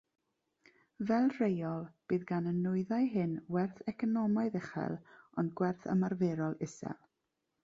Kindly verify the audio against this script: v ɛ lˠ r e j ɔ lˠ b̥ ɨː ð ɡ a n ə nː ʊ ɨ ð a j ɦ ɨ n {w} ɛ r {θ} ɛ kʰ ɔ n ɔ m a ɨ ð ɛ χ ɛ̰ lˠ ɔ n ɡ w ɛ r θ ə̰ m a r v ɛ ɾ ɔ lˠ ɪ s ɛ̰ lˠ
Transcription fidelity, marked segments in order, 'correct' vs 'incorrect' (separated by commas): correct, correct